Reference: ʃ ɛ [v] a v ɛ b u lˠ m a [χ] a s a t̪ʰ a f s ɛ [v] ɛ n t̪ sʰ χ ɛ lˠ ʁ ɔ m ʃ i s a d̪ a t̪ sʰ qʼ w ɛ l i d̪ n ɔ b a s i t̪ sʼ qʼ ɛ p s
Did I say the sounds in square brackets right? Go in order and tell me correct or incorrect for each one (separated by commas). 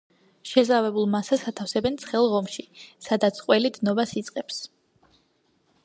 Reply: incorrect, incorrect, incorrect